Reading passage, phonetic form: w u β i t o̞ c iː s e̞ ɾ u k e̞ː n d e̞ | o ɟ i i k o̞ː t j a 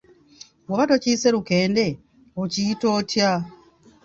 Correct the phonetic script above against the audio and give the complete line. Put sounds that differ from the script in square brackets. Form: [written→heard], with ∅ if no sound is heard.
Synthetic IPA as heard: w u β [i→a] t o̞ c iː s e̞ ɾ u k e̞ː n d e̞ | o [ɟ→c] i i [k→t] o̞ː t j a